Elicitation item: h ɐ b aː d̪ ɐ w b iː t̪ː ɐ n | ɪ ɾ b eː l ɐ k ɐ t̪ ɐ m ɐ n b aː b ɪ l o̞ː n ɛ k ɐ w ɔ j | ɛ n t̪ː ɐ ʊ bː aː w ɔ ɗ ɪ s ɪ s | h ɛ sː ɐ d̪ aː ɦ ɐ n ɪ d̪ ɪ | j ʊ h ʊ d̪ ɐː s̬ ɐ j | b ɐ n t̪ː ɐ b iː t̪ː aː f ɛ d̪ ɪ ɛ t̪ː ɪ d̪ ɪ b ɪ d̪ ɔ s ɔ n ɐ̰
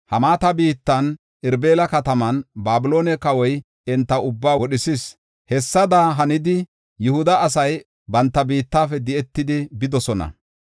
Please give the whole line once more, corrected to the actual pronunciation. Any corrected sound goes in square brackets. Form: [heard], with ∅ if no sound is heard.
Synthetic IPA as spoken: h ɐ [m] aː [t̪] ɐ [∅] b iː t̪ː ɐ n | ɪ ɾ b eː l ɐ k ɐ t̪ ɐ m ɐ n b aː b ɪ l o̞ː n ɛ k ɐ w ɔ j | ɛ n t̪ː ɐ ʊ bː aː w ɔ ɗ ɪ s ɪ s | h ɛ sː ɐ d̪ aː ɦ ɐ n ɪ d̪ ɪ | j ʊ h ʊ d̪ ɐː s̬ ɐ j | b ɐ n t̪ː ɐ b iː t̪ː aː f ɛ d̪ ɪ ɛ t̪ː ɪ d̪ ɪ b ɪ d̪ ɔ s ɔ n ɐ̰